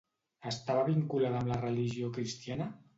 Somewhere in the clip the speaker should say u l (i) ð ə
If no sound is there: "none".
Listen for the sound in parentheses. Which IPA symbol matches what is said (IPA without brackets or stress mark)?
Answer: a